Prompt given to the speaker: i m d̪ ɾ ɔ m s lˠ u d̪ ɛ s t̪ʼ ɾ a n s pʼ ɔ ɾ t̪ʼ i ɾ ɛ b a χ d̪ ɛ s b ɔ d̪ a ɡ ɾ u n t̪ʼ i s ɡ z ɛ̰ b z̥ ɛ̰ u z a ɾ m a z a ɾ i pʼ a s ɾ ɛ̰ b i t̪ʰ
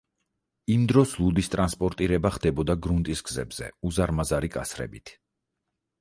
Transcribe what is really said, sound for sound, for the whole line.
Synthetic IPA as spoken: i m d̪ ɾ ɔ s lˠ u d̪ i s t̪ʼ ɾ a n s pʼ ɔ ɾ t̪ʼ i ɾ ɛ b a χ d̪ ɛ b ɔ d̪ a ɡ ɾ u n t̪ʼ i s ɡ z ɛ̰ b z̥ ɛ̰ u z a ɾ m a z a ɾ i kʼ a s ɾ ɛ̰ b i t̪ʰ